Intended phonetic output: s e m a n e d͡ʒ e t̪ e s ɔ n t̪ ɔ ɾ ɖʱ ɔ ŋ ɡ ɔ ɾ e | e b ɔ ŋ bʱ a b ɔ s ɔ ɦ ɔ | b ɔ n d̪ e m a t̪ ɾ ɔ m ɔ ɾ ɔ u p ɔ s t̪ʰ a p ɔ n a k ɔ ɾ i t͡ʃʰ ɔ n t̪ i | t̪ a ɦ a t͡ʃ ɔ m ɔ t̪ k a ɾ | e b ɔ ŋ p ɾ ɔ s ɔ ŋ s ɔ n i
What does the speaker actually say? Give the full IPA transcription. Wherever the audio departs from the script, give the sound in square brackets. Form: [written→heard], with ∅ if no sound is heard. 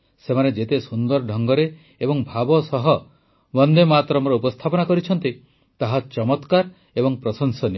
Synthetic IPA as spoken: s e m a n e d͡ʒ e t̪ e s [ɔ→u] n [t̪→d̪] ɔ ɾ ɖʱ ɔ ŋ ɡ ɔ ɾ e | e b ɔ ŋ bʱ a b ɔ s ɔ ɦ ɔ | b ɔ n d̪ e m a t̪ ɾ ɔ m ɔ ɾ ɔ u p ɔ s t̪ʰ a p ɔ n a k ɔ ɾ i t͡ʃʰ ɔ n t̪ i | t̪ a ɦ a t͡ʃ ɔ m ɔ t̪ k a ɾ | e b ɔ ŋ p ɾ ɔ s ɔ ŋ s ɔ n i

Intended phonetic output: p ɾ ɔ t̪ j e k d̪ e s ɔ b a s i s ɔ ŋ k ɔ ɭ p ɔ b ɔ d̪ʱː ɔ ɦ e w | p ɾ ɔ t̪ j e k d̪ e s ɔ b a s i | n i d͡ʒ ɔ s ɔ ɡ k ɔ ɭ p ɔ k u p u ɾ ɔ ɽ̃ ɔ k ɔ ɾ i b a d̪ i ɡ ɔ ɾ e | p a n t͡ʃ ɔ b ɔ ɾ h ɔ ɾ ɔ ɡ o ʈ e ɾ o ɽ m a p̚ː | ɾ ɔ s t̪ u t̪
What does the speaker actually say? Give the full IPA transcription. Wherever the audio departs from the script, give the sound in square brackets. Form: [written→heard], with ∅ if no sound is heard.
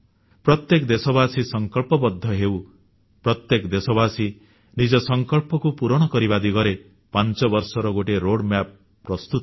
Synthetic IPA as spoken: p ɾ ɔ t̪ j e k d̪ e s ɔ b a s i s ɔ ŋ k ɔ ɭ p ɔ b ɔ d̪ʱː ɔ ɦ e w | p ɾ ɔ t̪ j e k d̪ e s ɔ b a s i | n i d͡ʒ ɔ s ɔ [ɡ→ŋ] k ɔ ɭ p ɔ k u p u ɾ ɔ ɽ̃ ɔ k ɔ ɾ i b a d̪ i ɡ ɔ ɾ e | p a n t͡ʃ ɔ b ɔ ɾ [h→s] ɔ ɾ ɔ ɡ o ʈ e ɾ o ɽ m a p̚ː | ɾ ɔ s t̪ u t̪

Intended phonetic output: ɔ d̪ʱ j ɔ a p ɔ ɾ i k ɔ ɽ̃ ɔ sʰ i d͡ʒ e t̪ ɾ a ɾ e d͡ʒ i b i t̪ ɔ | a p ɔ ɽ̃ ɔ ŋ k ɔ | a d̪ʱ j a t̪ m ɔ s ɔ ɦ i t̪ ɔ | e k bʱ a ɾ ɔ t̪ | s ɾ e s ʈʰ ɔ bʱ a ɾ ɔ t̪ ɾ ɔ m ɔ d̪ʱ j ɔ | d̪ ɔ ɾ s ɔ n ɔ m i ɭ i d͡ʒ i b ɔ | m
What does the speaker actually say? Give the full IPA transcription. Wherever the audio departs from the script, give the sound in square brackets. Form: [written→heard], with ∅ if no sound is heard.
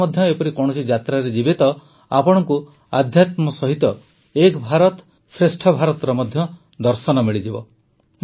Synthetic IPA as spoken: ɔ d̪ʱ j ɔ [a→e] p ɔ ɾ i k ɔ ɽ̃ ɔ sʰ i d͡ʒ [e→a] t̪ ɾ a ɾ e d͡ʒ i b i t̪ ɔ | a p ɔ ɽ̃ ɔ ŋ k [ɔ→u] | a d̪ʱ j a t̪ m ɔ s ɔ ɦ i t̪ ɔ | e k bʱ a ɾ ɔ t̪ | s ɾ e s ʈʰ ɔ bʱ a ɾ ɔ t̪ ɾ ɔ m ɔ d̪ʱ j ɔ | d̪ ɔ ɾ s ɔ n ɔ m i ɭ i d͡ʒ i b ɔ | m

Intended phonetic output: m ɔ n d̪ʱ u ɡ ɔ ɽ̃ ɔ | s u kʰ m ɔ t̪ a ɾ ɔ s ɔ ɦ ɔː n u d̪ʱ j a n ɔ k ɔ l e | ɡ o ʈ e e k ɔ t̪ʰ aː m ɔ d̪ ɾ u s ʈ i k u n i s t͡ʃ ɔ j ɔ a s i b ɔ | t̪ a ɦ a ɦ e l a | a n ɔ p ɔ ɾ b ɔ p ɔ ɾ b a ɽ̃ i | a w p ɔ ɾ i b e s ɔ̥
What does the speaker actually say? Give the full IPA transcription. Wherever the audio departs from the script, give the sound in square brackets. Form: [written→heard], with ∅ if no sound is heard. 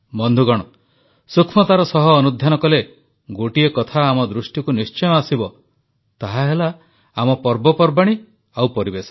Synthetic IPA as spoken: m ɔ n d̪ʱ u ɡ ɔ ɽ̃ ɔ | s u kʰ m ɔ t̪ a ɾ ɔ s ɔ ɦ ɔː n u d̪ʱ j a n ɔ k ɔ l e | ɡ o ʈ [e→i] e k ɔ t̪ʰ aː m ɔ d̪ ɾ u s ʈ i k u n i s t͡ʃ ɔ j ɔ a s i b ɔ | t̪ a ɦ a ɦ e l a | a [n→m] ɔ p ɔ ɾ b ɔ p ɔ ɾ b a ɽ̃ i | a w p ɔ ɾ i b e s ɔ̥

